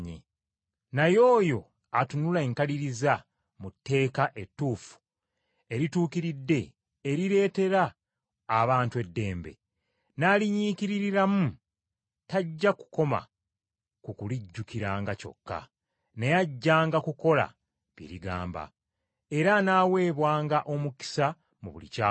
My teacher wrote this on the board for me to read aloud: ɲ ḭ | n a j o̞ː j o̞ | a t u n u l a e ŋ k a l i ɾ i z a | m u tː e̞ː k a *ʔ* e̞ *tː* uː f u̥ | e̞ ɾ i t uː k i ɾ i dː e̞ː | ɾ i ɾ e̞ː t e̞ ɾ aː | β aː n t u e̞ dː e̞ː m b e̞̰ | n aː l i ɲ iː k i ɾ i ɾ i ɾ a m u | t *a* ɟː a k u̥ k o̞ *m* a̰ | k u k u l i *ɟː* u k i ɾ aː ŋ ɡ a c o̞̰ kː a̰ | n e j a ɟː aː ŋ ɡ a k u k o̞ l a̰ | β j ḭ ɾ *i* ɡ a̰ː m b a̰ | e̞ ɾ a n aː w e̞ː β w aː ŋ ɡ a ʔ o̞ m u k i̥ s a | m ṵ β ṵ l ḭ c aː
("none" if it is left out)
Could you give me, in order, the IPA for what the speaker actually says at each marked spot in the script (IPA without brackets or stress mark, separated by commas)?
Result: ʔ, tː, a, m, ɟː, i